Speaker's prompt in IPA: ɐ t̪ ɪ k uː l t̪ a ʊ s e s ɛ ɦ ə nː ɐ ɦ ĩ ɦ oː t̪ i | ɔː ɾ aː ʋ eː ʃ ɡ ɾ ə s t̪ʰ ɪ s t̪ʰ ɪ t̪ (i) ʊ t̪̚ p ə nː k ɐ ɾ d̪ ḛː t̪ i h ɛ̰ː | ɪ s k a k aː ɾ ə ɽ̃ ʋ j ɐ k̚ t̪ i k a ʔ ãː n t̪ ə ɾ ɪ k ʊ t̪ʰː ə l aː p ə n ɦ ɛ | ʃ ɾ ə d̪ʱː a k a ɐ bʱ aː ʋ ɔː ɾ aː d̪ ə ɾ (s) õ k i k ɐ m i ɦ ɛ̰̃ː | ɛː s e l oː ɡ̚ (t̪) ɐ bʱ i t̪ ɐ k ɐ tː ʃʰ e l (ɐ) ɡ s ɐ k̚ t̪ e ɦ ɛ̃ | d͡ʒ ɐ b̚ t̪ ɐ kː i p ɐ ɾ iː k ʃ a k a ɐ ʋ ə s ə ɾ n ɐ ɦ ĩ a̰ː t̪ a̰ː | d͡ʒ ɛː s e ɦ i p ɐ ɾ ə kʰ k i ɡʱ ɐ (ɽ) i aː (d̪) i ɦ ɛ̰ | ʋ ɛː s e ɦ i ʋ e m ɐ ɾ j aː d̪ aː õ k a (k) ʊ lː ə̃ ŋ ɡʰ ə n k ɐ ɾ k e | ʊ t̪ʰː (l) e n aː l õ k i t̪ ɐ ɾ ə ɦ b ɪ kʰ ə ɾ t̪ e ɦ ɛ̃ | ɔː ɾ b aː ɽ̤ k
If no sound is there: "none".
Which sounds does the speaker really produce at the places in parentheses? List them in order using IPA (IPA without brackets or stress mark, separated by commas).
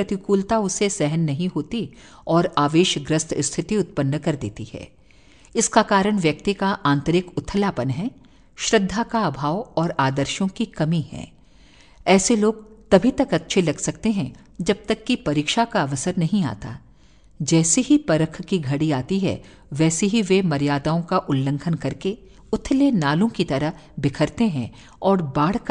i, ʃ, t̪, ɐ, ɽ, t̪, ʔ, l